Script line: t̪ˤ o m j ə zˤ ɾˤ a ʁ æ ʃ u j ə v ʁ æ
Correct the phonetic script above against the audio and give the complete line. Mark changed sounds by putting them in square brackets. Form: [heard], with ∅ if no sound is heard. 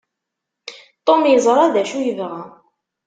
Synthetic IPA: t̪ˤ o m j ə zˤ ɾˤ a [ð] æ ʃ u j ə v ʁ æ